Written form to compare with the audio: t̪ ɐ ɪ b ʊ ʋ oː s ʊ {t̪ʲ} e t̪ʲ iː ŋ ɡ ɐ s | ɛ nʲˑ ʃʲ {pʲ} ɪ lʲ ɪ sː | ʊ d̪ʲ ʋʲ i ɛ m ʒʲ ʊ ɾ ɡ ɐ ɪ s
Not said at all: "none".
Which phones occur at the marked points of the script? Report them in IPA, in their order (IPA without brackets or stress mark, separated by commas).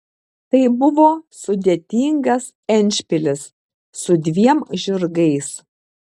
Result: d̪ʲ, pʲ